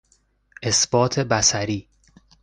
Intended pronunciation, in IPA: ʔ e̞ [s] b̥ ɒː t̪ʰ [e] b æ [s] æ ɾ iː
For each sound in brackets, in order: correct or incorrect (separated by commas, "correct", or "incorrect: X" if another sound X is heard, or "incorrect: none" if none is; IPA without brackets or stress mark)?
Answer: correct, correct, correct